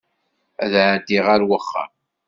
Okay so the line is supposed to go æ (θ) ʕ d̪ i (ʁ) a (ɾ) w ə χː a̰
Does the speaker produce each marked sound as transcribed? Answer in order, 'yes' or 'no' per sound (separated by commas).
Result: no, yes, yes